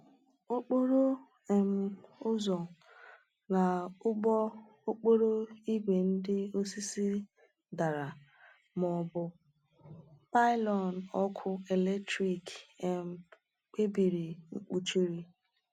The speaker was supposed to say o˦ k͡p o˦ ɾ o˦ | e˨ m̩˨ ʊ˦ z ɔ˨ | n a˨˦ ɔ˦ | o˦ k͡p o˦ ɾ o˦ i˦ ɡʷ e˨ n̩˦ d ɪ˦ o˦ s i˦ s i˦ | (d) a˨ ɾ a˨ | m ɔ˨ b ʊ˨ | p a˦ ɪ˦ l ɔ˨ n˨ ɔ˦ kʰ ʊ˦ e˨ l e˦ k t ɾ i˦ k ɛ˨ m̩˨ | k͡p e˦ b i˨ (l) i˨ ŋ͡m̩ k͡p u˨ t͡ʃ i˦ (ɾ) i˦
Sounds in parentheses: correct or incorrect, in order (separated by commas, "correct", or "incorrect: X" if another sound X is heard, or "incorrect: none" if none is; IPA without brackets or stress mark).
correct, incorrect: ɾ, correct